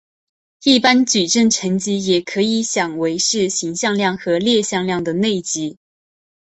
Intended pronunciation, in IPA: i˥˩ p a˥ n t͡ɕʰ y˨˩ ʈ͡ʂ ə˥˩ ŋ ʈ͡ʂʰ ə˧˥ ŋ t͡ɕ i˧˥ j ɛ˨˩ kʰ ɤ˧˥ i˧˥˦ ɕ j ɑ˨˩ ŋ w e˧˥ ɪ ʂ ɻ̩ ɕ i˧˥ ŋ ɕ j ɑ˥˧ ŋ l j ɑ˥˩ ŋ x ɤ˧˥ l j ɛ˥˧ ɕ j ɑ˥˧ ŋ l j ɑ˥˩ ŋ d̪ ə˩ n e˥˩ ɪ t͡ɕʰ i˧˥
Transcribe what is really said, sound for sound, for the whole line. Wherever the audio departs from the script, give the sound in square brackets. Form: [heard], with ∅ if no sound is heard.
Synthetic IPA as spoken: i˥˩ p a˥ n [t͡ɕ] y˨˩ ʈ͡ʂ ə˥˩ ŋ ʈ͡ʂʰ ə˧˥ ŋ t͡ɕ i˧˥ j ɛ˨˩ kʰ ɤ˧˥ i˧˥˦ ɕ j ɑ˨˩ ŋ w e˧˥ ɪ ʂ ɻ̩ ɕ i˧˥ ŋ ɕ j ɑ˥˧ ŋ l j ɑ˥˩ ŋ x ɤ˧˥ l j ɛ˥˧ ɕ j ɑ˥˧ ŋ l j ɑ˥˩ ŋ d̪ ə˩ n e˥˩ ɪ [t͡ɕ] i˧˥